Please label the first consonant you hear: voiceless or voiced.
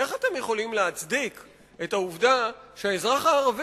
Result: voiceless